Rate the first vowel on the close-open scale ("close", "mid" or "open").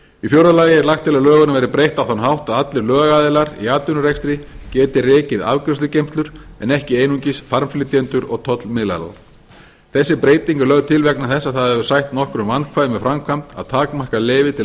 close